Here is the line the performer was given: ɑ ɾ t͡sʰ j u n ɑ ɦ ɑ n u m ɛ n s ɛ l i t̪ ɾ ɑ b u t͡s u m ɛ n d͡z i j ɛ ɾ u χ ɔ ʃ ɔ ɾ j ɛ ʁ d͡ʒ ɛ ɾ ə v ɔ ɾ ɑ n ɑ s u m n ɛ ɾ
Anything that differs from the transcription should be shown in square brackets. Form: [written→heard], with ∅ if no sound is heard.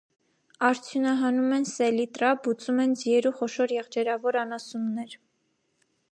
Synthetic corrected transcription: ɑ ɾ t͡sʰ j u n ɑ ɦ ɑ n u m ɛ n s ɛ l i t̪ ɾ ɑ b u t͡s u m ɛ n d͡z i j ɛ ɾ u χ ɔ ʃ ɔ ɾ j ɛ ʁ d͡ʒ ɛ ɾ [ə→ɑ] v ɔ ɾ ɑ n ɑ s u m n ɛ ɾ